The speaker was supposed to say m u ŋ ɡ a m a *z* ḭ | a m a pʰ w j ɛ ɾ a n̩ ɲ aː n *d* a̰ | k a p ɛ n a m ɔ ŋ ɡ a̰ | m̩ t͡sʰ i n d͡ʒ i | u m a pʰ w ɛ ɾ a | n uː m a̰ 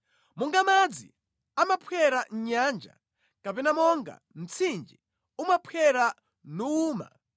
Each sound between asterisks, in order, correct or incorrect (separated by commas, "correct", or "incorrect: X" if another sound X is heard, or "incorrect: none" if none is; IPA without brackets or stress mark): incorrect: d͡z, incorrect: d͡ʒ